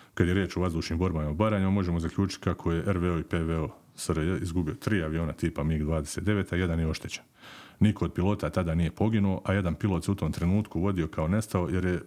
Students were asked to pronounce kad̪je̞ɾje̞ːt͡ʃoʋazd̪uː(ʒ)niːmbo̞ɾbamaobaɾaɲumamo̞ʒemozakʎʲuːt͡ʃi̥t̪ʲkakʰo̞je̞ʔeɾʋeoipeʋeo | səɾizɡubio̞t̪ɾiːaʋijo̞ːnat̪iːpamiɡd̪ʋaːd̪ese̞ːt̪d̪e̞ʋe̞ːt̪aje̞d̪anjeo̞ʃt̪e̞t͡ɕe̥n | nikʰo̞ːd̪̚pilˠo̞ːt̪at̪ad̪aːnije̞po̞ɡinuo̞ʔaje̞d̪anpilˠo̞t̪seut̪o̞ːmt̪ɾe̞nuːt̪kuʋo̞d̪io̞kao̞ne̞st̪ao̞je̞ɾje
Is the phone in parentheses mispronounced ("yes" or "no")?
yes